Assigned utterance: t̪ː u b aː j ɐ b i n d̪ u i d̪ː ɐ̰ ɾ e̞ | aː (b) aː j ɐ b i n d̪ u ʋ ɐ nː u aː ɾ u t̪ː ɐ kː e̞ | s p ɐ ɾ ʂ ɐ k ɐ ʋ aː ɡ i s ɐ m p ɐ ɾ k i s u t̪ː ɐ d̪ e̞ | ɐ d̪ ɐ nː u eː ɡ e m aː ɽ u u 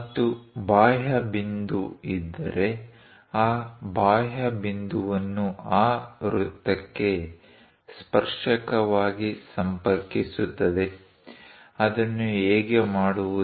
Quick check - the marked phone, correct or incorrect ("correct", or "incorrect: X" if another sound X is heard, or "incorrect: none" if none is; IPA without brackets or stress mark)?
correct